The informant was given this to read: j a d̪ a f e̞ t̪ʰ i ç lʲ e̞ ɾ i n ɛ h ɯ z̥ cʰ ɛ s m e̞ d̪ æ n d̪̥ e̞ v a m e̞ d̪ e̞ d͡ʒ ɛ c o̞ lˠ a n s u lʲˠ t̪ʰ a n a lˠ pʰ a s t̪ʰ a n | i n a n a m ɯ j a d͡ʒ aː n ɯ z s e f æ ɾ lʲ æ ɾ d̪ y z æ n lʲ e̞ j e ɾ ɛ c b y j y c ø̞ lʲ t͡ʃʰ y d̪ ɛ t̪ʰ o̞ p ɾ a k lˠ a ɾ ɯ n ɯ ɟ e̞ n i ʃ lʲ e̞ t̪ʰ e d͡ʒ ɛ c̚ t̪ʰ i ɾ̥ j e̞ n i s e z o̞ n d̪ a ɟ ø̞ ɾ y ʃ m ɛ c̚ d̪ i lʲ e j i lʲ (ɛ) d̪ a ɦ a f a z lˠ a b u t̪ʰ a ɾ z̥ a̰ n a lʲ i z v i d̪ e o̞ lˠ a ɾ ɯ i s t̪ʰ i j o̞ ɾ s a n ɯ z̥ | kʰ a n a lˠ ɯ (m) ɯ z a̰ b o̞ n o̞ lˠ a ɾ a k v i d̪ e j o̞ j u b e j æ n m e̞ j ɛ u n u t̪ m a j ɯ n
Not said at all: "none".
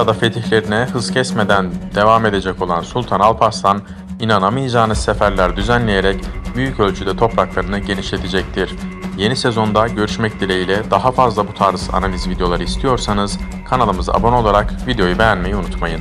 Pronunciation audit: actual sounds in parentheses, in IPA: ɛ, m

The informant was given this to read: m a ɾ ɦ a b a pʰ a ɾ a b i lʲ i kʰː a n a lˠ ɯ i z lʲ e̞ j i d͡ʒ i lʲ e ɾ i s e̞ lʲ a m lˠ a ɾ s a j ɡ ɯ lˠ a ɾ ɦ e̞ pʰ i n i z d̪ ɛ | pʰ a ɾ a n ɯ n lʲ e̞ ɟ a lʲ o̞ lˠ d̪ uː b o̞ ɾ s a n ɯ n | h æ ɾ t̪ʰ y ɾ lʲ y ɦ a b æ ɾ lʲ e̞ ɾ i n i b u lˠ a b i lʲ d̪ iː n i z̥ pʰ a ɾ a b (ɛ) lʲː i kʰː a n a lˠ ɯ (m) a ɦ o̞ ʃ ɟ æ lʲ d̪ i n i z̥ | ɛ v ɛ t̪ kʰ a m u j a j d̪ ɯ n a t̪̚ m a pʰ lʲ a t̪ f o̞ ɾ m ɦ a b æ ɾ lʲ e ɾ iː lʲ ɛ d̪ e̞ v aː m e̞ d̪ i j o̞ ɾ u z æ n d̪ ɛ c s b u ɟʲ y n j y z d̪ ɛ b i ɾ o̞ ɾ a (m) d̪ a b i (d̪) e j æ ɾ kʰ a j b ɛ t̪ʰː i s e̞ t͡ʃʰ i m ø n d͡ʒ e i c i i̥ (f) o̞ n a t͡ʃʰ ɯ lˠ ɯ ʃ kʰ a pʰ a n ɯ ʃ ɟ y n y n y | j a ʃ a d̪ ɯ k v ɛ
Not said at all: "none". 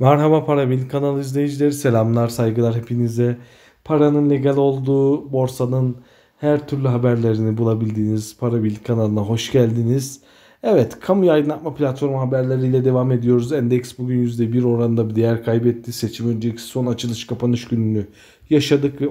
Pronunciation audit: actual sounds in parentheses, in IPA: i, n, n, d̪, s

